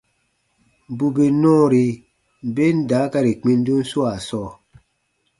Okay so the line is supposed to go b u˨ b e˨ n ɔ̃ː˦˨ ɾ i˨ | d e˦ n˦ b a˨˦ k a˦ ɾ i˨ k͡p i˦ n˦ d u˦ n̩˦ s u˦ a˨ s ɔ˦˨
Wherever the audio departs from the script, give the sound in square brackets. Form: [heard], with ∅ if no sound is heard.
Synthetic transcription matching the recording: b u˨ b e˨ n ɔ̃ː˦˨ ɾ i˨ | [b] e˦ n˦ [d] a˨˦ k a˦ ɾ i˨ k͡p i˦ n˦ d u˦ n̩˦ s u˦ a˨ s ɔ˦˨

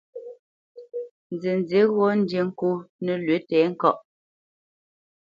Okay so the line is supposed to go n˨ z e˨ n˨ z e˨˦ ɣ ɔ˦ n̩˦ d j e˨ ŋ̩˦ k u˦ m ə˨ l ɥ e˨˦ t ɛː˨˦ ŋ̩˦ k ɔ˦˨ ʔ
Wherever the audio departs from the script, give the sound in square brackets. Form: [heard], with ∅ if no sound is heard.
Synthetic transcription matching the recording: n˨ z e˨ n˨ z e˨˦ ɣ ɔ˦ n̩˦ d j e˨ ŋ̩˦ k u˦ [n] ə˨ l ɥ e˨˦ t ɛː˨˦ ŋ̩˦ k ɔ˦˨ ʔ

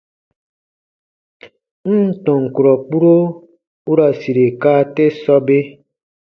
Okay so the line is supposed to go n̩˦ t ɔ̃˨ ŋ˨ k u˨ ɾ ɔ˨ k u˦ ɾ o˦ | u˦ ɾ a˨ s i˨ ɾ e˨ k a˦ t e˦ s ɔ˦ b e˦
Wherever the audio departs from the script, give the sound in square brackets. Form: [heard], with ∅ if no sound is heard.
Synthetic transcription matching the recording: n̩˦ t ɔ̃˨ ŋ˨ k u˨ ɾ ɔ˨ [k͡p] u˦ ɾ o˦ | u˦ ɾ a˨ s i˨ ɾ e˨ k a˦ t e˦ s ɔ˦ b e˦

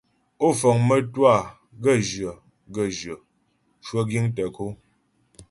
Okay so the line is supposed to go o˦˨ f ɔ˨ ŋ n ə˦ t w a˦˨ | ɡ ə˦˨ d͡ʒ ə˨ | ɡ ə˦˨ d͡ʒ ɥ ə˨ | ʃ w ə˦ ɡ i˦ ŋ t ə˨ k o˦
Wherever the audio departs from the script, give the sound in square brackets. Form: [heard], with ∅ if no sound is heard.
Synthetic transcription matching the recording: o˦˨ f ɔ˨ ŋ [m] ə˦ t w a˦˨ | ɡ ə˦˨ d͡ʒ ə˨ | ɡ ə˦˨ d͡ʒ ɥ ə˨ | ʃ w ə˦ ɡ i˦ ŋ t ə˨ k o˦

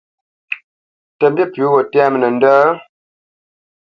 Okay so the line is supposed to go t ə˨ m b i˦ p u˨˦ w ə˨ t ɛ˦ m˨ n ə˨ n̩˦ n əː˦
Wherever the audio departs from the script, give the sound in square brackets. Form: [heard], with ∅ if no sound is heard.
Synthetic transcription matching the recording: t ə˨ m b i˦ p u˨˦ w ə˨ t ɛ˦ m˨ n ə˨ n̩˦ [d] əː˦

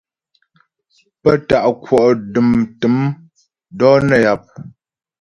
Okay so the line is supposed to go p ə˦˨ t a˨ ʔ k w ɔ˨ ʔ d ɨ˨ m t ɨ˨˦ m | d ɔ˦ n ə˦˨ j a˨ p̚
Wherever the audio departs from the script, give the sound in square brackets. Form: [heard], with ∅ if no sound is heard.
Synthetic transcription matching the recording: p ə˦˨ t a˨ ʔ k w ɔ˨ ʔ d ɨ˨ m t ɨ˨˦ m | d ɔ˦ n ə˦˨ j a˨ p̚

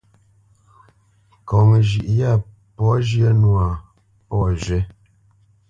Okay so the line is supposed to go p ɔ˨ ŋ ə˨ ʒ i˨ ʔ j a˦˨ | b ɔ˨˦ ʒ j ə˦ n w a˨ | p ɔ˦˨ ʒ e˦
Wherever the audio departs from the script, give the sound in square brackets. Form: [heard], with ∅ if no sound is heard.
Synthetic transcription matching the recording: [k] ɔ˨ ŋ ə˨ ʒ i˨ ʔ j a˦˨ | [p] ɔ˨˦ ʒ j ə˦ n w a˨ | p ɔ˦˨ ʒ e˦

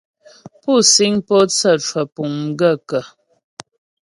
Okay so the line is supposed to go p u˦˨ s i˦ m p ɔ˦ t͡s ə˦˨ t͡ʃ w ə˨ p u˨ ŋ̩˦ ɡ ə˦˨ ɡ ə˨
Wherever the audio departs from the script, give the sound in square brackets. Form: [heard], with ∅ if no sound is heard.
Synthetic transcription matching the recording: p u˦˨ s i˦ [ŋ] p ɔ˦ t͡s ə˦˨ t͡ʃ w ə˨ p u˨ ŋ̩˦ ɡ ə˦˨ [k] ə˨

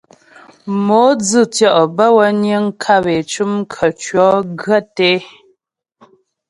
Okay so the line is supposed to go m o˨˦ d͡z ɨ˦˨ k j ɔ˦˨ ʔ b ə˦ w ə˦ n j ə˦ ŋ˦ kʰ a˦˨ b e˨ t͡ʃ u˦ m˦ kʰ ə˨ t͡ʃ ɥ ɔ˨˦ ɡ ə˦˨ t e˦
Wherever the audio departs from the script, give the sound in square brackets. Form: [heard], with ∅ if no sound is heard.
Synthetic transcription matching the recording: m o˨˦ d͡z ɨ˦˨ [t] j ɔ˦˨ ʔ b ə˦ w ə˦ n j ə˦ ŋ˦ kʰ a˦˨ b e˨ t͡ʃ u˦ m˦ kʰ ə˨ t͡ʃ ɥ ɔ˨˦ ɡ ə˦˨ t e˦

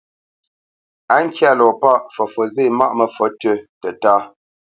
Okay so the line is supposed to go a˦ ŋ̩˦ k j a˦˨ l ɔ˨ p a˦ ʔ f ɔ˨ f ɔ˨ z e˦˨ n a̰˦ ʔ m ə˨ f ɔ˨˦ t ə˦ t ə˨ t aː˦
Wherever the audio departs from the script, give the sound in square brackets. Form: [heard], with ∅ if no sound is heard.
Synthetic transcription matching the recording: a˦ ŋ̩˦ k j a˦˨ l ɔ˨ p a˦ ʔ f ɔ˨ f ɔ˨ z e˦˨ [m] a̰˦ ʔ m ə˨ f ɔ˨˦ t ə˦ t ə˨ t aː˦

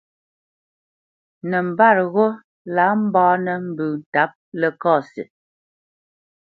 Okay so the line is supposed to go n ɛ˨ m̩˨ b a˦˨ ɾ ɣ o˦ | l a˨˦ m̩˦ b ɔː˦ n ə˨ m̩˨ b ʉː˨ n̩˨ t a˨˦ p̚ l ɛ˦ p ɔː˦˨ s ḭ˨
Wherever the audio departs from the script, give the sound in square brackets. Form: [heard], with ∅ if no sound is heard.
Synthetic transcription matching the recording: n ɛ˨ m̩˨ b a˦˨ ɾ ɣ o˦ | l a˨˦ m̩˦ b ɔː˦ n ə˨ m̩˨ b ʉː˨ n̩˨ t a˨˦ p̚ l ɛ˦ [k] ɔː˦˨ s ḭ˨

